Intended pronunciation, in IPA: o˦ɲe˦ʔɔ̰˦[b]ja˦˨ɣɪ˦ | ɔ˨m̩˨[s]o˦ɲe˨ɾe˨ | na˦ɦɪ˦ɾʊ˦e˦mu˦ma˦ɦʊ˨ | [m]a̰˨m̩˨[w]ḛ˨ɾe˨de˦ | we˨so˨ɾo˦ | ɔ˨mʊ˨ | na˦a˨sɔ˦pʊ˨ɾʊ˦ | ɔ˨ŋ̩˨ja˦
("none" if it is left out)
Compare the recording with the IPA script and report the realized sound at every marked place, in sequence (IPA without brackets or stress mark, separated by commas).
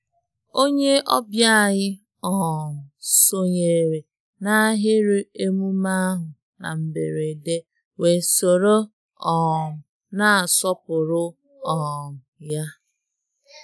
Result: b, s, n, b